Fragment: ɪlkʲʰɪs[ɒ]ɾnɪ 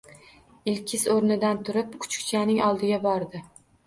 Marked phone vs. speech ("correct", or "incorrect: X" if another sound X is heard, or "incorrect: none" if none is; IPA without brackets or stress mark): incorrect: o